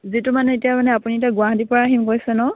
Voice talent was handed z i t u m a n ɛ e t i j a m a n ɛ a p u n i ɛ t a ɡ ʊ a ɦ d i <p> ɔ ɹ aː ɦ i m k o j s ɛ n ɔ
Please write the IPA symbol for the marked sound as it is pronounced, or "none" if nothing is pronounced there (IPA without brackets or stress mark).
p